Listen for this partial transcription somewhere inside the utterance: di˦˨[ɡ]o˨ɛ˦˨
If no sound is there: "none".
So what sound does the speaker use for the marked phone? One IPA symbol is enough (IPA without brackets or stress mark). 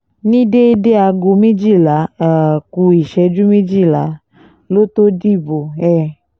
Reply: b